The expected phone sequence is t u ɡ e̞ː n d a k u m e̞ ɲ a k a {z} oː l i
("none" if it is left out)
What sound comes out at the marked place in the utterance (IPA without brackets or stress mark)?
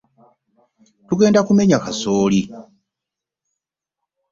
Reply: s